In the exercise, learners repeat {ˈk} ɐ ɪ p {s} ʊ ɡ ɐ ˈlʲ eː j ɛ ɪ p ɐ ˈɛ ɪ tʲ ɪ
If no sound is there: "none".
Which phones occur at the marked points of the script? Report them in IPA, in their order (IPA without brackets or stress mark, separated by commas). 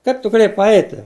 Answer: k, t